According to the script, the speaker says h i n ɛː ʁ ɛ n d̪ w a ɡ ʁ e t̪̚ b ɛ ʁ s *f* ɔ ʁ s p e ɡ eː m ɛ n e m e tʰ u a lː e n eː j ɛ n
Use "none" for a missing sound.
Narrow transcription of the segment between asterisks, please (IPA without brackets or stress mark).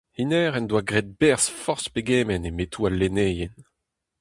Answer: f